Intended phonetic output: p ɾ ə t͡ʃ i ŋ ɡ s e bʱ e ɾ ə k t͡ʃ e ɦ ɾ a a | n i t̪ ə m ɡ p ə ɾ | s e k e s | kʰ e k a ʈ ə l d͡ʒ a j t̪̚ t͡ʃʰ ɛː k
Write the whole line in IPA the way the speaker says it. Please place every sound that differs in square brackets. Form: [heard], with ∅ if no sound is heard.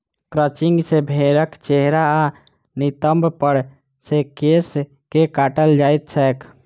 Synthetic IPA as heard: [k] ɾ ə t͡ʃ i ŋ ɡ s e bʱ e ɾ ə k t͡ʃ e ɦ ɾ a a | n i t̪ ə m [b] p ə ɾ | s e k e s | [k] e k a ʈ ə l d͡ʒ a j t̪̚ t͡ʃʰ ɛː k

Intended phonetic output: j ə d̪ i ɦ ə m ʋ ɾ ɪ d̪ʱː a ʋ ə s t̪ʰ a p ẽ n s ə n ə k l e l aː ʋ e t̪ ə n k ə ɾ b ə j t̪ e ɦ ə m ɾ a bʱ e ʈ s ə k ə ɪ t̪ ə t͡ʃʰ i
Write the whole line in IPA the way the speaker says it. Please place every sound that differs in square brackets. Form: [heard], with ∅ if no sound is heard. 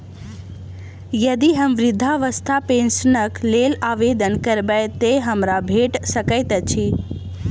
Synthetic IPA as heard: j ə d̪ i ɦ ə m ʋ ɾ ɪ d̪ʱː a ʋ ə s t̪ʰ a p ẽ n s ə n ə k l e l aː ʋ e [d̪] ə n k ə ɾ b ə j t̪ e ɦ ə m ɾ a bʱ e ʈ s ə k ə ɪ t̪ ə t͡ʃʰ i

